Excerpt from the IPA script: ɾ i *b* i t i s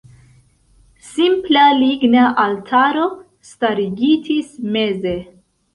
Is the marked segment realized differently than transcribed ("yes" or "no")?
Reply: yes